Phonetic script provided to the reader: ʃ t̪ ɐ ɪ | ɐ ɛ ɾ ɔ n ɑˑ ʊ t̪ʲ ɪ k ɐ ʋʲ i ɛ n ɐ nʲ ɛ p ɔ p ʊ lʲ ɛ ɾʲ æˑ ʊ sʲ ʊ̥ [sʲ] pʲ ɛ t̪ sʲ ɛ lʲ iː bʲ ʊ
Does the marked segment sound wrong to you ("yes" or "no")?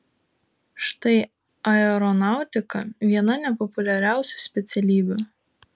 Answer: no